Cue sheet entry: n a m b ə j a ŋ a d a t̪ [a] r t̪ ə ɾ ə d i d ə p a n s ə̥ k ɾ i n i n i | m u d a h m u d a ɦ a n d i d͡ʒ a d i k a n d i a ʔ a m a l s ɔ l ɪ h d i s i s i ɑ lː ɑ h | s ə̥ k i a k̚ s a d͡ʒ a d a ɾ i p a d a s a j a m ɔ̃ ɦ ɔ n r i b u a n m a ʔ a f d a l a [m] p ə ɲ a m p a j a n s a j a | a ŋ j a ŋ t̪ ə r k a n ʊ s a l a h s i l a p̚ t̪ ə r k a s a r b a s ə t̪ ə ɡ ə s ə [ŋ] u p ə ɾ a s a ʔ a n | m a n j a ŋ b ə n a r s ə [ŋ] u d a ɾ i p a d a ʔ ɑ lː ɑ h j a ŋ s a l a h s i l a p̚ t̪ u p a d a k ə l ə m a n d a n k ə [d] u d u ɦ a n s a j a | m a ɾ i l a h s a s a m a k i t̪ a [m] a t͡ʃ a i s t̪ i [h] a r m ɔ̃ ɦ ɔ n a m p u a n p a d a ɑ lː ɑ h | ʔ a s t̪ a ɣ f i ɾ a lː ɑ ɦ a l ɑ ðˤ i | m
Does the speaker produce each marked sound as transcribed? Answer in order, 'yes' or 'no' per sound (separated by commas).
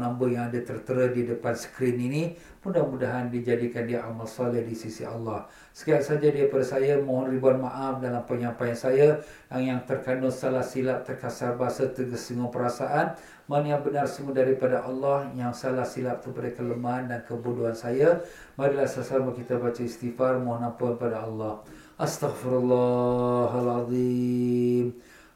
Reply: no, yes, yes, yes, no, no, no